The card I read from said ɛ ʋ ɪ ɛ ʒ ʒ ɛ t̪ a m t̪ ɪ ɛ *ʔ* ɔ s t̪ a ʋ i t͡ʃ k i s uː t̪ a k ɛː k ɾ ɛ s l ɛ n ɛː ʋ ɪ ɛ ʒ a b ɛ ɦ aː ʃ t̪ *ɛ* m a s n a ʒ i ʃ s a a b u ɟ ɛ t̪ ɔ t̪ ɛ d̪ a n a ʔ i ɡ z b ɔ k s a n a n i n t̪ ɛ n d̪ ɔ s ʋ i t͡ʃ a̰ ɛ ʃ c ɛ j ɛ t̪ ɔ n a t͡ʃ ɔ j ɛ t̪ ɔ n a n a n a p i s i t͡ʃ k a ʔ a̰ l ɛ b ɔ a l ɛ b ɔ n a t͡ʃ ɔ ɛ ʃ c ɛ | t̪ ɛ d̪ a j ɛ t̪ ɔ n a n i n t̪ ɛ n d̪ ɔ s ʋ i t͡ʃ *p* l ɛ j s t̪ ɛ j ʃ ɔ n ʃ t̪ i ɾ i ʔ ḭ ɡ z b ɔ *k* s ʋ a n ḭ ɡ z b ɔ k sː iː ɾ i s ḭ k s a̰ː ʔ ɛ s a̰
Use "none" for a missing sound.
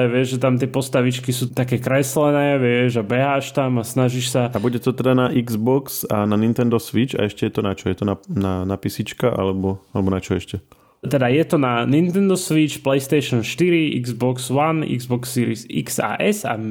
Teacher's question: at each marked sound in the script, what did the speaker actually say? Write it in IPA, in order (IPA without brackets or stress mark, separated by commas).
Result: p, a, p, k